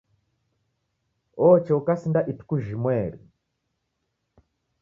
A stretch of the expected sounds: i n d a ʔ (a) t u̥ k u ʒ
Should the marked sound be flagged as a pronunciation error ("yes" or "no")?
yes